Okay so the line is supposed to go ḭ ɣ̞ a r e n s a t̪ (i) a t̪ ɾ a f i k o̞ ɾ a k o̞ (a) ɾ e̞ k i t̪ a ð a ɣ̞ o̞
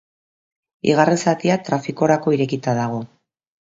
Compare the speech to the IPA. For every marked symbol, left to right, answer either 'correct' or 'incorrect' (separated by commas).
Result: correct, incorrect